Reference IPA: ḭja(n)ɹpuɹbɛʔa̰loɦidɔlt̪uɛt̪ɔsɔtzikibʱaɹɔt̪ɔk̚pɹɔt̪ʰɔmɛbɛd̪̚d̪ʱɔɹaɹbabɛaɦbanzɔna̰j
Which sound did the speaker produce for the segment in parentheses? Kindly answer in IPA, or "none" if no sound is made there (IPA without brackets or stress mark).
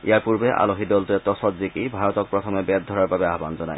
none